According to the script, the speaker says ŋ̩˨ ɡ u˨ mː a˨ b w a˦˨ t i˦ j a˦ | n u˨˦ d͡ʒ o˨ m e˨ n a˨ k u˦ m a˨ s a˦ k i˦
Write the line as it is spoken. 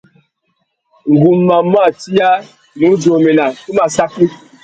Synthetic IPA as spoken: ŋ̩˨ ɡ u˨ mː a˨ m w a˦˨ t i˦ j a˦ | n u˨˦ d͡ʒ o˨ m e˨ n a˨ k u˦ m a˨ s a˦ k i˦